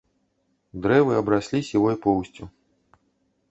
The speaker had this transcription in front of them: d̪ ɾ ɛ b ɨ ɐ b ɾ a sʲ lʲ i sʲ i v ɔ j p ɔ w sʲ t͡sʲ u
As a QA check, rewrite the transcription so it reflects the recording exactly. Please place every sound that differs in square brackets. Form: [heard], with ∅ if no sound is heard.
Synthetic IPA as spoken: d̪ ɾ ɛ [v] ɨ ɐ b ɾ a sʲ lʲ i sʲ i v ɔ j p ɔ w sʲ t͡sʲ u